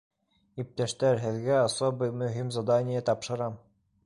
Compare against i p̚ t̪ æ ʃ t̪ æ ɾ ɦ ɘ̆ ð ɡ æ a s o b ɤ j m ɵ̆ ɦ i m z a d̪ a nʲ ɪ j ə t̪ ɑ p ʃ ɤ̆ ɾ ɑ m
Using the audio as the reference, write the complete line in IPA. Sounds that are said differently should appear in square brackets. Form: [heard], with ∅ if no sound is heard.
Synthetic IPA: i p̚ t̪ æ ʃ t̪ æ ɾ ɦ ɘ̆ ð ɡ æ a s o b ɤ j m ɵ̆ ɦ i m z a d̪ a nʲ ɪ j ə t̪ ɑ p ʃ ɤ̆ ɾ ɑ m